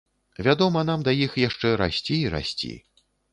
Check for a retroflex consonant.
present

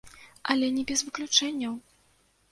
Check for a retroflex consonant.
present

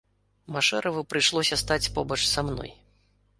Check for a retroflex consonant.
present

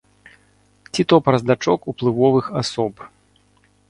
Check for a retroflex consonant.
present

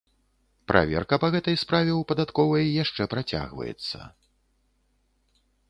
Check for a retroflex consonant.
present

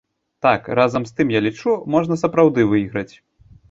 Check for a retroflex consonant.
present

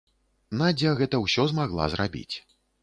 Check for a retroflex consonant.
absent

